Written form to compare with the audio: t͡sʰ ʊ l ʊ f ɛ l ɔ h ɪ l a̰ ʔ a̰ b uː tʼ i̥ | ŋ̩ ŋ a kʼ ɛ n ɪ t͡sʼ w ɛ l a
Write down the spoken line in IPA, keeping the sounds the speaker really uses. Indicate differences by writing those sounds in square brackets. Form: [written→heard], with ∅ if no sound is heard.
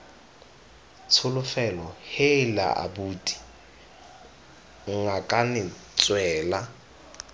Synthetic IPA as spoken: t͡sʰ ʊ l ʊ f ɛ l ɔ h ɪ l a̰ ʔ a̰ b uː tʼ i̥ | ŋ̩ ŋ a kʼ [ɛ→a] n ɪ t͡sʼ w [ɛ→ɛː] l a